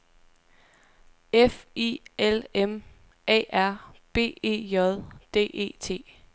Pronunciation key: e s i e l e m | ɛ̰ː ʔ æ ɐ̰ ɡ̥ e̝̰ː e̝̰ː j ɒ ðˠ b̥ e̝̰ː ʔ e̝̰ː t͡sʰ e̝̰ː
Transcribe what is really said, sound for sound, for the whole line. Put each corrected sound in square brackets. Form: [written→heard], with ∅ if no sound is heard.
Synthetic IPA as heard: e [s→f] i e l e m | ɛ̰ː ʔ æ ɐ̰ [ɡ̥→b̥] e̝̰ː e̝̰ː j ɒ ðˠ [b̥→d̥] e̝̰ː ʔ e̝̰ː t͡sʰ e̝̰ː